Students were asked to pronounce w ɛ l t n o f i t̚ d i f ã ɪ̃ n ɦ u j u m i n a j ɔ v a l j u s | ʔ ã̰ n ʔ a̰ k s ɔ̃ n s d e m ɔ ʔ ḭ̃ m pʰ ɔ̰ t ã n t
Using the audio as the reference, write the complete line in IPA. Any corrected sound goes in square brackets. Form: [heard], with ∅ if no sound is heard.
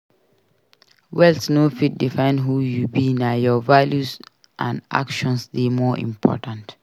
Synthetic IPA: w ɛ l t n o f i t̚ d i f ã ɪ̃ n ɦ u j u [b] i n a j ɔ v a l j u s | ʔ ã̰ n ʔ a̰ k [ʃ] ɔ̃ n s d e m ɔ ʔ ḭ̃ m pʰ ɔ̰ t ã n t